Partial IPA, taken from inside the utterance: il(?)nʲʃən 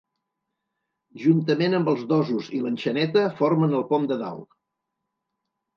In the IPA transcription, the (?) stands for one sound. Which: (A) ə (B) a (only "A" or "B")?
A